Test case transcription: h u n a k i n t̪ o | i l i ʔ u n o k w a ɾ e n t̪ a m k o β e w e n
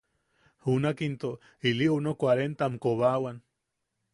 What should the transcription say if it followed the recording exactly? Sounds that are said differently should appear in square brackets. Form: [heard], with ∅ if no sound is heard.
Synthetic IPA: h u n a k i n t̪ o | i l i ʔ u n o k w a ɾ e n t̪ a m k o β [a] w [a] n